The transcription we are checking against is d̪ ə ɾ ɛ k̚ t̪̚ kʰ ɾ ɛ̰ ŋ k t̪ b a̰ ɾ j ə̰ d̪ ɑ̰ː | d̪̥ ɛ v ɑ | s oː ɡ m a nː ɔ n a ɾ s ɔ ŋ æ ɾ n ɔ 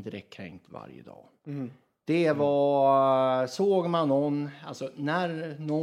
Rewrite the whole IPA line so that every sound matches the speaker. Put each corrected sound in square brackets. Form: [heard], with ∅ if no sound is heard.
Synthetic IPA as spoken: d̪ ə ɾ ɛ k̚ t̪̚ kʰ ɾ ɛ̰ ŋ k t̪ [v] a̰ ɾ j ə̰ d̪ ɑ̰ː | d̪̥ ɛ v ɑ | s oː ɡ m a nː ɔ n a [l] s ɔ [n] æ ɾ n ɔ